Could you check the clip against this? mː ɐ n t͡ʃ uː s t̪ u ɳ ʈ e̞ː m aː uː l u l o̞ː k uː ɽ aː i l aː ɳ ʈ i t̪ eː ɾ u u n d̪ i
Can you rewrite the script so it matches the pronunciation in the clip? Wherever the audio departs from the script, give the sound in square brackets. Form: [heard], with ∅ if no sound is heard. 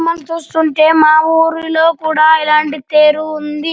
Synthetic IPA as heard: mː ɐ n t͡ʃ uː s t̪ u ɳ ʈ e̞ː m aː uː [ɾ] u l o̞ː k uː ɽ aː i l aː ɳ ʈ i t̪ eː ɾ u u n d̪ i